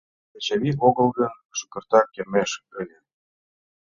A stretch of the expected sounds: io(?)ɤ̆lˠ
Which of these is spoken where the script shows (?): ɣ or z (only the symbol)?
ɣ